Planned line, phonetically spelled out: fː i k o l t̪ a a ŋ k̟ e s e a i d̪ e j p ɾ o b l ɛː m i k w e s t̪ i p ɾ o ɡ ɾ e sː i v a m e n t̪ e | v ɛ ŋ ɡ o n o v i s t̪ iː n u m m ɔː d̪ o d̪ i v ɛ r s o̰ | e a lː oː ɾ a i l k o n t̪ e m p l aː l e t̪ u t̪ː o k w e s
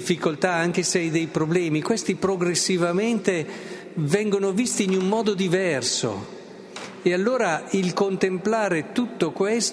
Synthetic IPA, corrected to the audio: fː i k o l t̪ a a ŋ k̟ e s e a j d̪ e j p ɾ o b l ɛː m i k w e s t̪ i p ɾ o ɡ ɾ e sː i v a m e n t̪ e | v ɛ ŋ ɡ o n o v i s t̪ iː n u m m ɔː d̪ o d̪ i v ɛ r s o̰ | e a lː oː ɾ a i l k o n t̪ e m p l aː ɾ e t̪ u t̪ː o k w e s